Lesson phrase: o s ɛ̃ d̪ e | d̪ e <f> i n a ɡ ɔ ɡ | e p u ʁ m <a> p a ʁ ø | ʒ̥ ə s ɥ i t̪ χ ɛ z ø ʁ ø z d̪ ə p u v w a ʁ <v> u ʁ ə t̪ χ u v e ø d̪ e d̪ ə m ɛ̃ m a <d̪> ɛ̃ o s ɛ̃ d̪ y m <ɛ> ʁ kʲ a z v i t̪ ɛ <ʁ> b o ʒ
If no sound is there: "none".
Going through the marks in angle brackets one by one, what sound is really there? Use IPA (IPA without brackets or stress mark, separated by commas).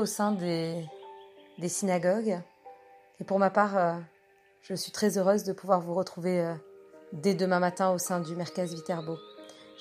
s, a, v, t̪, ɛ, ʁ